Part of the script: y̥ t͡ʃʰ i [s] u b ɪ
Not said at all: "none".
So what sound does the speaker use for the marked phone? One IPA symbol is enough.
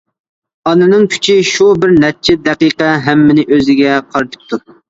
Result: ʃ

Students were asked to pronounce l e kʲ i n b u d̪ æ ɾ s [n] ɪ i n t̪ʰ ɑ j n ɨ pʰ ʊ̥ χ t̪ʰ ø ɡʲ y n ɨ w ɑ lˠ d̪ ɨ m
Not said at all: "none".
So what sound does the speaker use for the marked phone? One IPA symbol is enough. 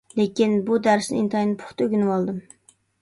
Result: n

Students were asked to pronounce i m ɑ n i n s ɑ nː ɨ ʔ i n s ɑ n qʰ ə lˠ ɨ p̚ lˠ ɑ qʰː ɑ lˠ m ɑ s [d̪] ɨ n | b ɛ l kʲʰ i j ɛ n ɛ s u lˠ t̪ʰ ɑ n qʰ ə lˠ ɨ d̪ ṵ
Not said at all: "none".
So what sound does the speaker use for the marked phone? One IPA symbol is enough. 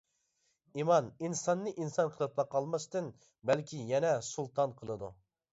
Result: t̪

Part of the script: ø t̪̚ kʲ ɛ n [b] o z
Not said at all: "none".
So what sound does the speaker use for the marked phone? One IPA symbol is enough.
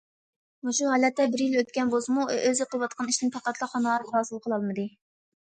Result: b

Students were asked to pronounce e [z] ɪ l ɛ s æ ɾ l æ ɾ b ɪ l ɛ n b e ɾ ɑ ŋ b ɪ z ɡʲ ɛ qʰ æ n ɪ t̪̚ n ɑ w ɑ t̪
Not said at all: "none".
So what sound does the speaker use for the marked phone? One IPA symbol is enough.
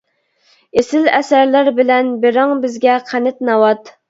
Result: s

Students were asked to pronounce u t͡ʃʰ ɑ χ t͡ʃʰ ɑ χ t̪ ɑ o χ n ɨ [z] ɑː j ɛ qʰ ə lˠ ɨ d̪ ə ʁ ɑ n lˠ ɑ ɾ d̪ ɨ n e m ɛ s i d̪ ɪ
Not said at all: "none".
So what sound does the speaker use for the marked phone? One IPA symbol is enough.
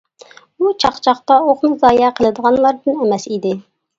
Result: z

